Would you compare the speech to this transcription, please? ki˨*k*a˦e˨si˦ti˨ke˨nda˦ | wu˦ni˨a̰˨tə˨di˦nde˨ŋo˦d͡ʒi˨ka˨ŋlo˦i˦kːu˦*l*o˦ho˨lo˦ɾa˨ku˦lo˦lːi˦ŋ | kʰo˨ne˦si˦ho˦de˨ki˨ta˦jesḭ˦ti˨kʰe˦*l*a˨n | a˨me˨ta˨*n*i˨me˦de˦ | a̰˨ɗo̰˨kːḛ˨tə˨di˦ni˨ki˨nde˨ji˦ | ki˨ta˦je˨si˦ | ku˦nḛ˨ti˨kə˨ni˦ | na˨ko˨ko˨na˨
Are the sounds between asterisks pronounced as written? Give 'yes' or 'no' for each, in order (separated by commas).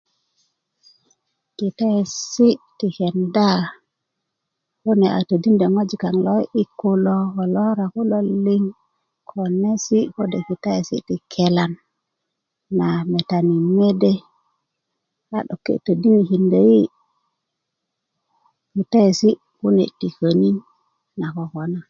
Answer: no, yes, yes, yes